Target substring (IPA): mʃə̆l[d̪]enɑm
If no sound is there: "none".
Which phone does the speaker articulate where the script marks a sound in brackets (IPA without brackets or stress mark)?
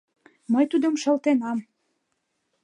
t̪